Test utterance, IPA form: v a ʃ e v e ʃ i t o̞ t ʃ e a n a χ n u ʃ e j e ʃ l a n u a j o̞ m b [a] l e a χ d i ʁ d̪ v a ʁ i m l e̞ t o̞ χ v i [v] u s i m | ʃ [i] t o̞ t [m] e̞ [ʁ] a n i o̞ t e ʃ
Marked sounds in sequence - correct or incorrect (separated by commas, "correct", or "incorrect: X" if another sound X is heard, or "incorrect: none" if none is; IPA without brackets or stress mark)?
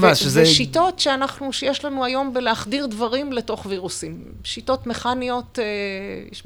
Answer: incorrect: e, incorrect: ʁ, correct, correct, incorrect: χ